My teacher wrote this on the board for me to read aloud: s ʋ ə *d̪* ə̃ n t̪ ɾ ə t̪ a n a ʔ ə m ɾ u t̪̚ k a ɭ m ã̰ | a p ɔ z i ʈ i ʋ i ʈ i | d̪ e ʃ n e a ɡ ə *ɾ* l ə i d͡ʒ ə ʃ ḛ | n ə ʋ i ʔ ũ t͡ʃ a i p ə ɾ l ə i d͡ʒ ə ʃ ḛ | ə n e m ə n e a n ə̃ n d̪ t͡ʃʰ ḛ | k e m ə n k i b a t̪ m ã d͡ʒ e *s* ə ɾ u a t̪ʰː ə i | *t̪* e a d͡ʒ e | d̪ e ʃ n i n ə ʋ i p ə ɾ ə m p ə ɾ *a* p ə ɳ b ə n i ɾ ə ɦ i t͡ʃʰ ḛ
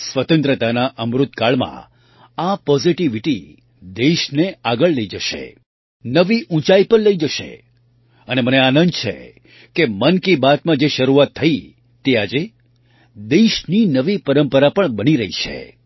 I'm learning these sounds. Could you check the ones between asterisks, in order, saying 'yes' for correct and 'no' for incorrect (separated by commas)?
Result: no, no, no, yes, yes